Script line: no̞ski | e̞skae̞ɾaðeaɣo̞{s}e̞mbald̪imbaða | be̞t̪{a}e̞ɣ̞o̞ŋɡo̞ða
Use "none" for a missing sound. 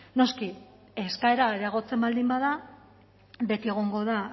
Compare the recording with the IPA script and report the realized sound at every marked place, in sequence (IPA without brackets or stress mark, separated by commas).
t͡s, i